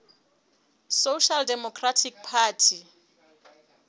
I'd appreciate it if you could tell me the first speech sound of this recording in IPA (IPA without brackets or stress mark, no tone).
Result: s